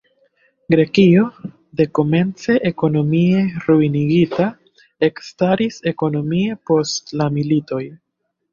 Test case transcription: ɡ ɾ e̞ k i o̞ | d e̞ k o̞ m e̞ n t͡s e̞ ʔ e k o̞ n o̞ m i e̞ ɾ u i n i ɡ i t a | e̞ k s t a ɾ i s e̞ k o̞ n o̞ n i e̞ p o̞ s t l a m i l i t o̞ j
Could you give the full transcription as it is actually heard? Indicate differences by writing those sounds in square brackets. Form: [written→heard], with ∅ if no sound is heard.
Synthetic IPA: ɡ ɾ e̞ k i o̞ | d e̞ k o̞ m e̞ n t͡s e̞ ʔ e k o̞ n o̞ m i e̞ ɾ u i n i ɡ i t a | e̞ k s t a ɾ i s e̞ k o̞ n o̞ [n→m] i e̞ p o̞ s t l a m i l i t o̞ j